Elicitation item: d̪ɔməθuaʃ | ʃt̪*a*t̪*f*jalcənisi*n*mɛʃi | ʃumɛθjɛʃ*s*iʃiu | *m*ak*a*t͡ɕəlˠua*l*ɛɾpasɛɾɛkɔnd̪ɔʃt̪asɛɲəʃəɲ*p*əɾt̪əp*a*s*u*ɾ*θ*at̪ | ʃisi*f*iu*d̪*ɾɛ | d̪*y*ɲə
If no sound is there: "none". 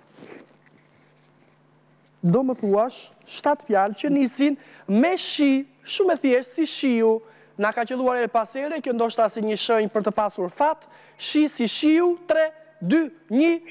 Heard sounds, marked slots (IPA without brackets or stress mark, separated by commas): a, f, n, s, n, a, ɾ, p, a, u, f, ʃ, t̪, y